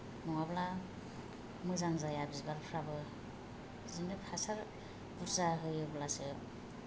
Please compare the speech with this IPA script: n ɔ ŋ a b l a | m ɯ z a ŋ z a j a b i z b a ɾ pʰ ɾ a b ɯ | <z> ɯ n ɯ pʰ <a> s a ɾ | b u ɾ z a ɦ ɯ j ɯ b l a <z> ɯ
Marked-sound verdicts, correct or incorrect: correct, correct, incorrect: s

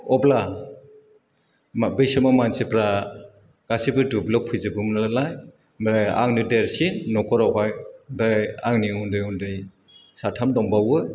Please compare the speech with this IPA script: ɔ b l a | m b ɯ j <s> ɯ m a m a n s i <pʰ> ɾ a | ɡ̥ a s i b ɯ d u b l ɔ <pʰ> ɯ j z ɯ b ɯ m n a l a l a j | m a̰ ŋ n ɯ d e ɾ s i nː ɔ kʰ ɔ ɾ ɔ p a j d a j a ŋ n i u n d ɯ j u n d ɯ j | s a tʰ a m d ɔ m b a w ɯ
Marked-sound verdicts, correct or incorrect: correct, incorrect: p, correct

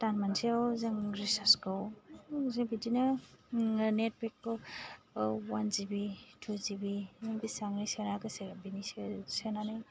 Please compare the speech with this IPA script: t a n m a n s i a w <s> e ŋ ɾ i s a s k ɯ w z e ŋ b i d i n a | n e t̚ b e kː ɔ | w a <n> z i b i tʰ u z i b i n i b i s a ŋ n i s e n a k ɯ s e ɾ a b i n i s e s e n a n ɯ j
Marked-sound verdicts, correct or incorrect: incorrect: z, correct

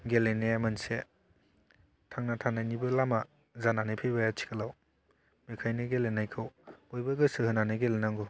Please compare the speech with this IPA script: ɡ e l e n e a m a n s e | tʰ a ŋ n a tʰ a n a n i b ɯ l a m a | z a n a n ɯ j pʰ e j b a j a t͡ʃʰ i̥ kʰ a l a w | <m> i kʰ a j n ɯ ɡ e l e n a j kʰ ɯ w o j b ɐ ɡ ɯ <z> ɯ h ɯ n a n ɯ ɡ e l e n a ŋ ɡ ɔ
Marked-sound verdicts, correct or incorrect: correct, incorrect: s

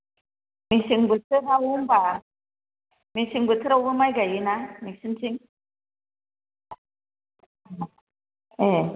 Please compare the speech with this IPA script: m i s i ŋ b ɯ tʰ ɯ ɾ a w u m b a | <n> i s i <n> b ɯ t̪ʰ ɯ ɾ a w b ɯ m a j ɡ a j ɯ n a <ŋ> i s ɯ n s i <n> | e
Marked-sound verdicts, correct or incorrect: incorrect: m, incorrect: ŋ, incorrect: m, incorrect: ŋ

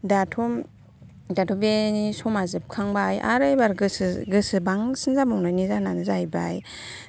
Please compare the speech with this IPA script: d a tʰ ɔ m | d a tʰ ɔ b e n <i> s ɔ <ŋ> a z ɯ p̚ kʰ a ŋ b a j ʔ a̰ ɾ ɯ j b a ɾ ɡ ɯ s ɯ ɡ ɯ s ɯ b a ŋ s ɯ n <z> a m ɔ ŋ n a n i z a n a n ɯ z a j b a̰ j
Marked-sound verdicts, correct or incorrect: correct, incorrect: m, correct

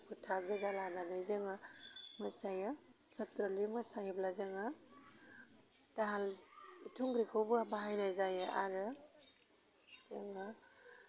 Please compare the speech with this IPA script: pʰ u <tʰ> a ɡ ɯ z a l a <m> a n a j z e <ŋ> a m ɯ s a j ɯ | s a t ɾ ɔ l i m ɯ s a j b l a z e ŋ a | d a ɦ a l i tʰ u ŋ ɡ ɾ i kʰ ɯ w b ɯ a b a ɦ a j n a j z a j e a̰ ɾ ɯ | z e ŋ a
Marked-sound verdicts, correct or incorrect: correct, incorrect: n, correct

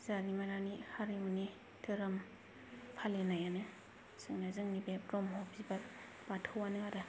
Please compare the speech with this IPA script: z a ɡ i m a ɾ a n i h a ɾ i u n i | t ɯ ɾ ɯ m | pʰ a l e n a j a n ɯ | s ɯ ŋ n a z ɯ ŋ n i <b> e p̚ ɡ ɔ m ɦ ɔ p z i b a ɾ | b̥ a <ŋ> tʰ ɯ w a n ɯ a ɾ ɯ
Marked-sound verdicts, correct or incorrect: correct, incorrect: none

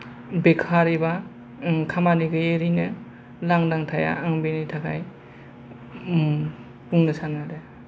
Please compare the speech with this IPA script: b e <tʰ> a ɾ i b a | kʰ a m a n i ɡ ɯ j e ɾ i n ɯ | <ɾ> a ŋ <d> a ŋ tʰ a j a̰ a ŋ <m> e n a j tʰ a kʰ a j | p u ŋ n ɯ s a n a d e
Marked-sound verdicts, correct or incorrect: incorrect: kʰ, incorrect: l, correct, incorrect: b

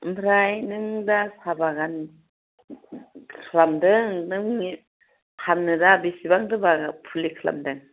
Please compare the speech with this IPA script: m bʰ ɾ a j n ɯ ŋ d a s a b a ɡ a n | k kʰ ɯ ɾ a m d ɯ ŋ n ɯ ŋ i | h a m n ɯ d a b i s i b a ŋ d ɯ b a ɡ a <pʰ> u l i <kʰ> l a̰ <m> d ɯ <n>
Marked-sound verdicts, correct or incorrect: correct, correct, correct, incorrect: ŋ

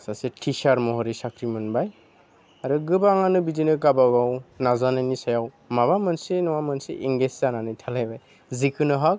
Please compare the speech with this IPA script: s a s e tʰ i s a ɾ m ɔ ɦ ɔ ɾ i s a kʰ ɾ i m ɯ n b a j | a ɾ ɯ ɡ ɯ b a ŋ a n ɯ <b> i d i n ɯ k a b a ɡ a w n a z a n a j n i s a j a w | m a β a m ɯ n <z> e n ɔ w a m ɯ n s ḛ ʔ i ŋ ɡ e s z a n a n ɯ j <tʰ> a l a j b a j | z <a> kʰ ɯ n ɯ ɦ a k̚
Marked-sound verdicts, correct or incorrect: correct, incorrect: s, correct, incorrect: i

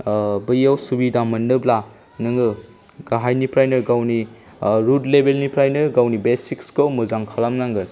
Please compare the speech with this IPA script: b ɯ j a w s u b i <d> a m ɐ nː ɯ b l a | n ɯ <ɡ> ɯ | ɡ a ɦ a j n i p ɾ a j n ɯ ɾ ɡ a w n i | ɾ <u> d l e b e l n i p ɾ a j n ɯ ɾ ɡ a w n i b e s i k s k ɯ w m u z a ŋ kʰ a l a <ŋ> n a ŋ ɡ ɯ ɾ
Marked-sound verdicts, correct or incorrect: correct, incorrect: ŋ, correct, incorrect: m

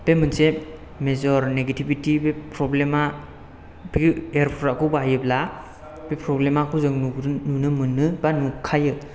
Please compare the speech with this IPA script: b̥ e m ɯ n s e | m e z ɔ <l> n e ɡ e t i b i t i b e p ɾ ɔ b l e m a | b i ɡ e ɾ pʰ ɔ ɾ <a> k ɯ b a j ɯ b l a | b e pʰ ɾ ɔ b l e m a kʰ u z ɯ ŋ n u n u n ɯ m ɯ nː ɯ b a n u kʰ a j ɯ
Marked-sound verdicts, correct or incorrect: incorrect: ɾ, correct

